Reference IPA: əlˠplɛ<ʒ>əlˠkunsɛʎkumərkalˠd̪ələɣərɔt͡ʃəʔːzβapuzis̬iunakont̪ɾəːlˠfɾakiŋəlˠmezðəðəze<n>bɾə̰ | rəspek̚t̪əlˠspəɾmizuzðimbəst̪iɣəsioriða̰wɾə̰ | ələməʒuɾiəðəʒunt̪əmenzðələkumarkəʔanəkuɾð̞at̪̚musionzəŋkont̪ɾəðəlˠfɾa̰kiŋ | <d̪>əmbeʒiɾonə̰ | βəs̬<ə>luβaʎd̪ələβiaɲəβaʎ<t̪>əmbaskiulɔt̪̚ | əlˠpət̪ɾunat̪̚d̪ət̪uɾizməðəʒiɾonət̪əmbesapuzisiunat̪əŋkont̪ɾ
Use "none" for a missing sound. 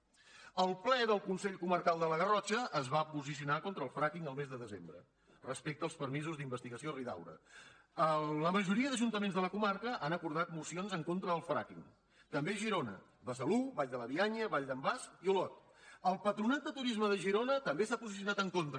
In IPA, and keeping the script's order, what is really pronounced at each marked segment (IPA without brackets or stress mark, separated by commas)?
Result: ð, m, t̪, ə, d̪